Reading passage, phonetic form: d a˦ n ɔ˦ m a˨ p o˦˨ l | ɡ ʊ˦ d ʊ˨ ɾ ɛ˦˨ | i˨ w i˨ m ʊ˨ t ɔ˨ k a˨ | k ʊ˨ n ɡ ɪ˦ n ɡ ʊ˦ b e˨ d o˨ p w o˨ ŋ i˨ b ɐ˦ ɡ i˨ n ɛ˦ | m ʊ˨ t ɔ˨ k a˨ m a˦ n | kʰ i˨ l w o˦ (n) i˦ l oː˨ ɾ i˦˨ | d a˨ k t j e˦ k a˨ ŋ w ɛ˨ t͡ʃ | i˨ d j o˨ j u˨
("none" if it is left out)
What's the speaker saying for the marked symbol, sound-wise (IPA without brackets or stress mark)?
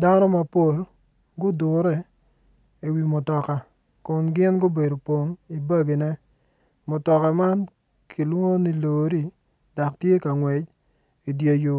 n